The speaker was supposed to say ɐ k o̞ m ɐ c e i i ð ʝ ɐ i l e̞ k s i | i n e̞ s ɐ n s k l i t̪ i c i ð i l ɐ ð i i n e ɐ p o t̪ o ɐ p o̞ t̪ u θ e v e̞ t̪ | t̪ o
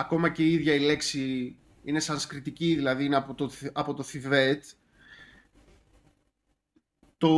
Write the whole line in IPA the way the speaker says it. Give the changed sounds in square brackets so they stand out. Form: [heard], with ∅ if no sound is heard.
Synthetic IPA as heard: ɐ k o̞ m ɐ c e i i ð ʝ ɐ i l e̞ k s i | i n e̞ s ɐ n s k [ɾ] i t̪ i c i ð i l ɐ ð i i n e ɐ p o t̪ o ɐ p o̞ t̪ [o] θ [i] v e̞ t̪ | t̪ o